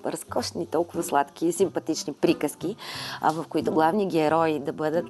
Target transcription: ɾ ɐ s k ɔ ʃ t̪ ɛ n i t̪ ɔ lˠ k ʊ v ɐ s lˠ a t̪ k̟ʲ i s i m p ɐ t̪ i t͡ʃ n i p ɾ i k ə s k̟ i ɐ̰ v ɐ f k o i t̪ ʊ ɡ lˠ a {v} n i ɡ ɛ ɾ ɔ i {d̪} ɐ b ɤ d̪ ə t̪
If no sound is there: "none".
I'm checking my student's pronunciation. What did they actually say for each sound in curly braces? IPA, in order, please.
v, d̪

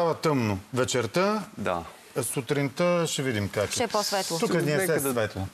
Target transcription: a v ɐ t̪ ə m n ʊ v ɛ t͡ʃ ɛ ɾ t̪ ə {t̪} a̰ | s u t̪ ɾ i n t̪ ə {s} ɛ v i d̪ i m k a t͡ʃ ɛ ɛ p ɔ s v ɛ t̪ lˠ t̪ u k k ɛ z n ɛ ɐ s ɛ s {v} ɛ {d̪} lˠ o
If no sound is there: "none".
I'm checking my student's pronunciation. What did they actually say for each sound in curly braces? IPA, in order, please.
d̪, ʃ, v, t̪

